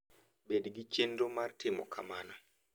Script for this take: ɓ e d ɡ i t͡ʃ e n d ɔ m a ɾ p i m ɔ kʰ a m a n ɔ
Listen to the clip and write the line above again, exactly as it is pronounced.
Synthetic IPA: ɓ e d ɡ i t͡ʃ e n d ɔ m a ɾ t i m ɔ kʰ a m a n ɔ